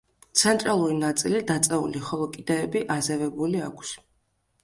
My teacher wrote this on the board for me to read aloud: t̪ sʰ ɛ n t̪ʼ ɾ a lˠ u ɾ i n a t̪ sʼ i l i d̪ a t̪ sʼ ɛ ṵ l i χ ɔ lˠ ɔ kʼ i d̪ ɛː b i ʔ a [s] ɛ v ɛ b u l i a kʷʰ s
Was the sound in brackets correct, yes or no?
no